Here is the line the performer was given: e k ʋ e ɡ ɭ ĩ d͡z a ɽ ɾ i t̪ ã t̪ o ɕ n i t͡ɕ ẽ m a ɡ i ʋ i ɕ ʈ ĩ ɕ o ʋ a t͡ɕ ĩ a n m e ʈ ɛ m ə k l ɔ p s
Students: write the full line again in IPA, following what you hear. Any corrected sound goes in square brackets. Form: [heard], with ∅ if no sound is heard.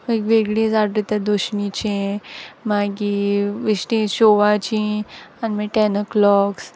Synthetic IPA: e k ʋ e ɡ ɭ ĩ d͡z a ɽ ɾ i t̪ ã [d̪] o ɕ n i t͡ɕ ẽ m a ɡ i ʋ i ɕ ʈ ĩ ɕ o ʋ a t͡ɕ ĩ a n m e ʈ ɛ [n] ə k l ɔ [k] s